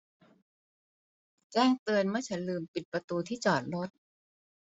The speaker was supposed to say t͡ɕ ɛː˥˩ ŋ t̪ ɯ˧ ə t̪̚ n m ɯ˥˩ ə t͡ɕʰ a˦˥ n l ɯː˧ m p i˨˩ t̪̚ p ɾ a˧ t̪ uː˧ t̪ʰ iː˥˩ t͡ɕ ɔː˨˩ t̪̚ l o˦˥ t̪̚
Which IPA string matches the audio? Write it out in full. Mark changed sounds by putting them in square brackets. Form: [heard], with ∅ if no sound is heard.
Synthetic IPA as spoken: t͡ɕ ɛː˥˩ ŋ t̪ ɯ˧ ə [∅] n m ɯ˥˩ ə t͡ɕʰ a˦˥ n l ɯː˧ m p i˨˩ t̪̚ p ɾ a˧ t̪ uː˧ t̪ʰ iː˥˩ t͡ɕ ɔː˨˩ t̪̚ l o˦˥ t̪̚